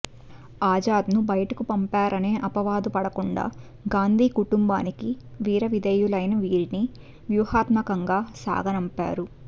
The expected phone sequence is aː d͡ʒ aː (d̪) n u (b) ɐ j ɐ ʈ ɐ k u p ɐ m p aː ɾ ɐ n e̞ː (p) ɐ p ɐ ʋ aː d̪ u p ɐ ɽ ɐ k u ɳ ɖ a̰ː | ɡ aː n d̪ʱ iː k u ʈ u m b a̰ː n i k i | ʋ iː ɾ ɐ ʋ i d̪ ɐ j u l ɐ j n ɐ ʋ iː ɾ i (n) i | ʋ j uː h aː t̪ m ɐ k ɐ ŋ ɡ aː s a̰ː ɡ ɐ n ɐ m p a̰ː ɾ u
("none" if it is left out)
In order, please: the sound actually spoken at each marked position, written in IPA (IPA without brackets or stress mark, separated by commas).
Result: d̪, b, ʔ, n